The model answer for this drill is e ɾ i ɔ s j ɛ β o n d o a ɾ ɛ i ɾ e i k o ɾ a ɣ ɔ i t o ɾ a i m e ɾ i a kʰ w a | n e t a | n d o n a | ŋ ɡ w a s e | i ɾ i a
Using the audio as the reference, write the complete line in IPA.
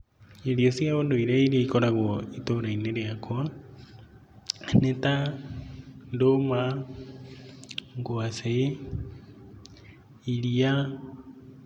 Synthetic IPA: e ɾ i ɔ s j a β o n d o i ɾ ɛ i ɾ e i k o ɾ a ɣ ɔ i t o ɾ a i n e ɾ e a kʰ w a | n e t a | n d o m a | ŋ ɡ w a s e | i ɾ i a

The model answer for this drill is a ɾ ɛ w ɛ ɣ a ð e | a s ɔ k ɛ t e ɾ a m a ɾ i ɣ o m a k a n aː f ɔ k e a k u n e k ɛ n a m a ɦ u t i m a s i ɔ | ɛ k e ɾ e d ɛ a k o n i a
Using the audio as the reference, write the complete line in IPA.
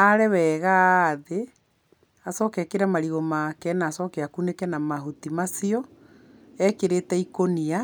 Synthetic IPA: a ɾ ɛ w ɛ ɣ a ð e | a s ɔ k ɛ k e ɾ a m a ɾ i ɣ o m a k ɛ n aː s ɔ k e a k u n e k ɛ n a m a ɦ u t i m a s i ɔ | ɛ k e ɾ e t ɛ i k o n i a

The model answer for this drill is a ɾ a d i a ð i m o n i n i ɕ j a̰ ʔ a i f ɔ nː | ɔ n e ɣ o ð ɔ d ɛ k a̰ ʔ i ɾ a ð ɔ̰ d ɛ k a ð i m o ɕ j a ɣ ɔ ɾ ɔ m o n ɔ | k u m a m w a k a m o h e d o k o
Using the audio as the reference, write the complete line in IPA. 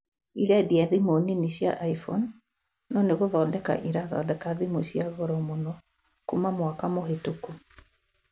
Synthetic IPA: i ɾ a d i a ð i m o n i n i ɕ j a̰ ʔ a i f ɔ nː | ɔ n e ɣ o ð ɔ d ɛ k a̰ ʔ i ɾ a ð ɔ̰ d ɛ k a ð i m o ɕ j a ɣ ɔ ɾ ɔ m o n ɔ | k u m a m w a k a m o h e t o k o

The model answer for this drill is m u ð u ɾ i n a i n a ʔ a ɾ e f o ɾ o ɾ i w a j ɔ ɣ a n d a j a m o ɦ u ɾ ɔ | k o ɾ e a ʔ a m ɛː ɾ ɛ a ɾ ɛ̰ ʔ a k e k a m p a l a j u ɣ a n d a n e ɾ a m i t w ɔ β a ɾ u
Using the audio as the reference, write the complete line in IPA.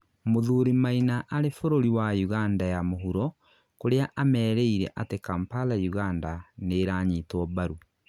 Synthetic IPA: m o ð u ɾ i m a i n a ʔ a ɾ e f o ɾ o ɾ i w a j u ɣ a n d a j a m o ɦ u ɾ ɔ | k o ɾ e a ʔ a m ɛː ɾ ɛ i ɾ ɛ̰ ʔ a t e k a m p a l a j u ɣ a n d a n e ɾ a ɲ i t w ɔ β a ɾ u

